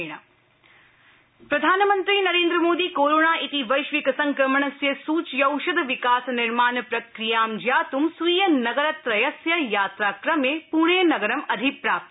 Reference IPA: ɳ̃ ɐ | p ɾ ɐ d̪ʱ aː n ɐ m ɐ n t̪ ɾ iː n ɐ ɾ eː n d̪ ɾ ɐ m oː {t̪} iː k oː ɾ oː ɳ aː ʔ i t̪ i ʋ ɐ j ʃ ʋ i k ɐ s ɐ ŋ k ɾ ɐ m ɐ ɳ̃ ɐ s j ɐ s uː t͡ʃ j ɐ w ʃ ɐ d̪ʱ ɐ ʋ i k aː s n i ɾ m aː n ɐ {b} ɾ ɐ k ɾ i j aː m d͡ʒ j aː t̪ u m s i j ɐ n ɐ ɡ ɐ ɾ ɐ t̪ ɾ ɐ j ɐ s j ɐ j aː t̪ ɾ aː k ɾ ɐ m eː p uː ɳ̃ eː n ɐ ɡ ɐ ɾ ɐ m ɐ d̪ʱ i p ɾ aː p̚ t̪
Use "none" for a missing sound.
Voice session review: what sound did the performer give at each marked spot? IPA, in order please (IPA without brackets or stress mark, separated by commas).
d̪, p